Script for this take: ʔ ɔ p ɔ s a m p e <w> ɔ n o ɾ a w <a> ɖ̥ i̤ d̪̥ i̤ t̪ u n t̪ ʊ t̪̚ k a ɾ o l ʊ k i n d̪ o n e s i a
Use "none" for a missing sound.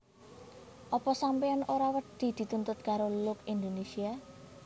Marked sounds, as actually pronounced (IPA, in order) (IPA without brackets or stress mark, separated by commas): none, ə